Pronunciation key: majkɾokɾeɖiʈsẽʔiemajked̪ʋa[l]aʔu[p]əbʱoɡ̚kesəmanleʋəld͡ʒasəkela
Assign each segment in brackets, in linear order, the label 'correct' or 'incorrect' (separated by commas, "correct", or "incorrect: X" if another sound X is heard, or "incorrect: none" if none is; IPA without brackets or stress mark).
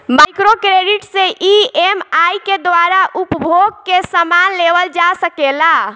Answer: incorrect: ɾ, correct